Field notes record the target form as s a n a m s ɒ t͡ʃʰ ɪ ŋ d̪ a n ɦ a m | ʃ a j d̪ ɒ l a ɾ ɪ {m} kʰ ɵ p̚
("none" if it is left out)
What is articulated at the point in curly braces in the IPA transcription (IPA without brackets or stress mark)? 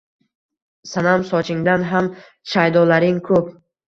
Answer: ŋ